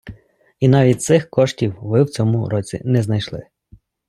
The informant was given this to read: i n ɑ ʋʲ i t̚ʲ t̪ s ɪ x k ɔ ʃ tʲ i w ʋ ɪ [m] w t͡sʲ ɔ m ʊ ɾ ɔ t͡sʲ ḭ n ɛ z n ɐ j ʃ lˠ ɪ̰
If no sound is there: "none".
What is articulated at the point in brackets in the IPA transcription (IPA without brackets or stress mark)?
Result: none